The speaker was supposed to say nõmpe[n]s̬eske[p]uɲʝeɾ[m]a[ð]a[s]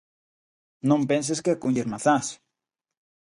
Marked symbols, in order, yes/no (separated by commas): yes, no, yes, no, yes